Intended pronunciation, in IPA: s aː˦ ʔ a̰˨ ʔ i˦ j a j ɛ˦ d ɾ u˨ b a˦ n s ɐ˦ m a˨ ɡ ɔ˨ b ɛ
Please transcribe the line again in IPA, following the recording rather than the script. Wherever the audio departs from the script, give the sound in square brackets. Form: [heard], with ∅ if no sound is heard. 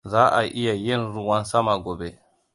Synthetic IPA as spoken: [z] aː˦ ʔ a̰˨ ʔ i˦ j a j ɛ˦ [n] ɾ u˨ [w] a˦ n s [a˦] m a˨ ɡ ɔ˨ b ɛ

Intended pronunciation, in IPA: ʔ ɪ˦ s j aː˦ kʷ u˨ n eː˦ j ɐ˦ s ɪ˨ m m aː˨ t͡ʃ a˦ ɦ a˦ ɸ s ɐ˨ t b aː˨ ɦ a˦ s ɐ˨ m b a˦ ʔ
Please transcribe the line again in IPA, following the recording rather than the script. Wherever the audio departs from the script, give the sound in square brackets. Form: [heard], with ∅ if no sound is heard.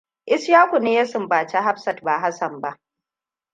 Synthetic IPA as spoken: ʔ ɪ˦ s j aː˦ kʷ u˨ n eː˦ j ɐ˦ s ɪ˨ m [b] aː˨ t͡ʃ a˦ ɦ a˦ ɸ s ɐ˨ t b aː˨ ɦ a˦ s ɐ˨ m b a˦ ʔ

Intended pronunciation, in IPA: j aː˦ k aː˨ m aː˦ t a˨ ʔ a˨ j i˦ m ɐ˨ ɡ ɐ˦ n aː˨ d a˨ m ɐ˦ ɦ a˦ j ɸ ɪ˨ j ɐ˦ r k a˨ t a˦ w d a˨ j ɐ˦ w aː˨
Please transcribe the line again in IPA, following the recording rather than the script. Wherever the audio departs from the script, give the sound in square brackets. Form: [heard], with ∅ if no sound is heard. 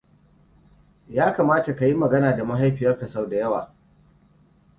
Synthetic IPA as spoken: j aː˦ k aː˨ m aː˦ t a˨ [k] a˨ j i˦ m ɐ˨ ɡ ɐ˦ n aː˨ d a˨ m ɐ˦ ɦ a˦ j ɸ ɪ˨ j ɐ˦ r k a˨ [s] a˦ w d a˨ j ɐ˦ w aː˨

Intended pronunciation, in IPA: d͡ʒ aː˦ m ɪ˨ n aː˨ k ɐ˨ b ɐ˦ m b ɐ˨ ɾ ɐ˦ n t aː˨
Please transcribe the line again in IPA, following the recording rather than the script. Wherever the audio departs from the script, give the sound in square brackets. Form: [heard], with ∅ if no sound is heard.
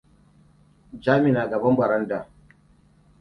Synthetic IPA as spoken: d͡ʒ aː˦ m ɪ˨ n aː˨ [ɡ] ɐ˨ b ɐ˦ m b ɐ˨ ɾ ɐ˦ n [d] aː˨

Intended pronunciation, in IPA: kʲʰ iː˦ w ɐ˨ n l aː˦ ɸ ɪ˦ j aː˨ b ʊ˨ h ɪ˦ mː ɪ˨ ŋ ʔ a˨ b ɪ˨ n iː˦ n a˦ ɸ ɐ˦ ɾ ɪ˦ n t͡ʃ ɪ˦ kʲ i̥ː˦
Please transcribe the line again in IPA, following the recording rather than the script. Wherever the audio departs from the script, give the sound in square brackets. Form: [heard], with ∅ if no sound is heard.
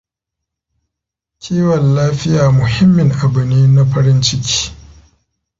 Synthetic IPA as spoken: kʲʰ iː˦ w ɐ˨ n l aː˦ ɸ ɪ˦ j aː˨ [m] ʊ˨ h ɪ˦ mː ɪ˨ ŋ ʔ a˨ b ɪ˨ n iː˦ n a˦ ɸ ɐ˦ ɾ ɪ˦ n t͡ʃ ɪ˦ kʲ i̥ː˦

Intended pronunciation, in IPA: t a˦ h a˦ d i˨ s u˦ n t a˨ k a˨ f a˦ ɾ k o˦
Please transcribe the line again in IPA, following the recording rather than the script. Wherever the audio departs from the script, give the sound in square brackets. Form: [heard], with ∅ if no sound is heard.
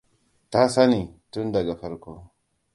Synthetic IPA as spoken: t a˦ [s] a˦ [n] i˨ [t] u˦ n [d] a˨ [ɡ] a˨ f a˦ ɾ k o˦

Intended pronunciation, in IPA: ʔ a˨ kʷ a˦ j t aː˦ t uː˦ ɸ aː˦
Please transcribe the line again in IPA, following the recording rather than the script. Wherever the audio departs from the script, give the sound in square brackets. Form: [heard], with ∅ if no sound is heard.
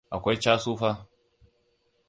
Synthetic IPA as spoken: ʔ a˨ kʷ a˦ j [t͡ʃ] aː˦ [s] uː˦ ɸ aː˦

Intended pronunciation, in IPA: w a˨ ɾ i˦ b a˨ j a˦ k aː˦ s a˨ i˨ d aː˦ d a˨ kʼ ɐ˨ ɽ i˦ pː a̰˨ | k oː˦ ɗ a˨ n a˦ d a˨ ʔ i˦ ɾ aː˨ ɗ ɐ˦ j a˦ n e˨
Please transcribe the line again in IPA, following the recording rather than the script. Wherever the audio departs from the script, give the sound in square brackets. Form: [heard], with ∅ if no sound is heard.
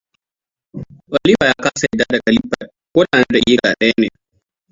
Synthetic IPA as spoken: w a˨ [l] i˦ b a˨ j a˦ k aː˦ s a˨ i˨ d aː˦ d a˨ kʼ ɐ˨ [l] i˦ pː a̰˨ | k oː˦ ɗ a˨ n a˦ d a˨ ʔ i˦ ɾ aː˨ ɗ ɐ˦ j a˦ n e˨

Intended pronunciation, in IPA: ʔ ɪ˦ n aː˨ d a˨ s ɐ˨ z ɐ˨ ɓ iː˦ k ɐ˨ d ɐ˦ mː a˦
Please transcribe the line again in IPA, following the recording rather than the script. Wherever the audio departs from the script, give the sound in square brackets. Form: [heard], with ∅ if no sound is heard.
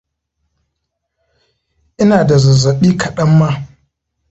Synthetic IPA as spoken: ʔ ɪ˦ n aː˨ d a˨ [z] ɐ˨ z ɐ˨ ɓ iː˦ k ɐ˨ [ɗ] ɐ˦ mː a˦

